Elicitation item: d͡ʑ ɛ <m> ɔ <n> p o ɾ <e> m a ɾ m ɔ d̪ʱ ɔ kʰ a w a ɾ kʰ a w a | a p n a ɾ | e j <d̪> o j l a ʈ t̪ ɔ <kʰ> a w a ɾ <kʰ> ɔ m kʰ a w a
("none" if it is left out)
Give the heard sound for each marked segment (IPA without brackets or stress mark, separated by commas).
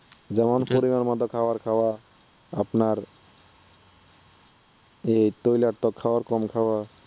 m, n, i, t̪, kʰ, k